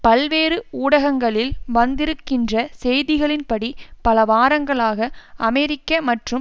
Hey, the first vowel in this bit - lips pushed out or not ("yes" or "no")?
no